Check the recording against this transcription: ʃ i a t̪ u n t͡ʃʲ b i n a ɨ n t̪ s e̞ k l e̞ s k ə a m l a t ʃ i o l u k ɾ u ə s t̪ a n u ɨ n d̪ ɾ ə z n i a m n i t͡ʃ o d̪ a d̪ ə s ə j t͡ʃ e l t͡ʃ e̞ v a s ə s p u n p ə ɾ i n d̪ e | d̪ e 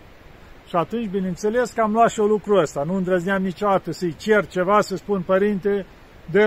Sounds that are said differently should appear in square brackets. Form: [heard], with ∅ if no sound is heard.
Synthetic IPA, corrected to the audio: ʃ i a t̪ u n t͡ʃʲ b i n [e] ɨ n t̪ s e̞ [∅] l e̞ s k ə a m l a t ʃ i o l u k ɾ u ə s t̪ a n u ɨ n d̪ ɾ ə z n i a m n i t͡ʃ o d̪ a [t̪] ə s ə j t͡ʃ e [r] t͡ʃ e̞ v a s ə s p u n p ə ɾ i n [t̪] e | d̪ e